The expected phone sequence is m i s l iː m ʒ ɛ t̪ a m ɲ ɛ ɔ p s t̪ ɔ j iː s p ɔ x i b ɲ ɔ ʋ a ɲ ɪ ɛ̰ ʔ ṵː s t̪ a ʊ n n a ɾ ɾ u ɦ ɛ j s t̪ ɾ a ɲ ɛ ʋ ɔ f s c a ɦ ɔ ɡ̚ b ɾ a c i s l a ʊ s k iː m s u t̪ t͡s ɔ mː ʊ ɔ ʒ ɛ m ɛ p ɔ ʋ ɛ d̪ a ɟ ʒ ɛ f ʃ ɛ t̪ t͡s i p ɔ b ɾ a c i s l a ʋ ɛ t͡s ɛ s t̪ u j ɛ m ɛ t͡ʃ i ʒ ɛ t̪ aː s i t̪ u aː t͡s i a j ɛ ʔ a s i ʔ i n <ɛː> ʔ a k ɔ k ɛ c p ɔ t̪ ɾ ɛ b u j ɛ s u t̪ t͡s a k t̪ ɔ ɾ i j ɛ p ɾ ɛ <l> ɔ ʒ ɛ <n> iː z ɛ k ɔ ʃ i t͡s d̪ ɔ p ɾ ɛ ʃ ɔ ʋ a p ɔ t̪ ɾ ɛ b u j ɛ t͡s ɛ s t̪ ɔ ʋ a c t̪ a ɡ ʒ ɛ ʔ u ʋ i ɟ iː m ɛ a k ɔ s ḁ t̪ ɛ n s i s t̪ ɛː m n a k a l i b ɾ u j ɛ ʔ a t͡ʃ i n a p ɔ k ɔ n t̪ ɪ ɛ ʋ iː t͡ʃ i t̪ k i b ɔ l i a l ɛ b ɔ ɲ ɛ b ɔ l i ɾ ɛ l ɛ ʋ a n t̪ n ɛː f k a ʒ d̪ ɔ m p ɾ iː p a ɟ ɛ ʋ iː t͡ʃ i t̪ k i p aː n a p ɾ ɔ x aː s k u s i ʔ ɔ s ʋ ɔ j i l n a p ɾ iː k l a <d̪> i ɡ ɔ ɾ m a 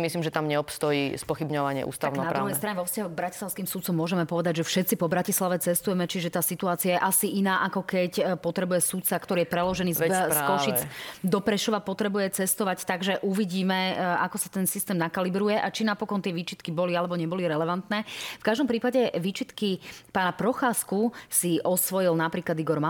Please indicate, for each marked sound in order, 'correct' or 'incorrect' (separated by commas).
incorrect, correct, correct, correct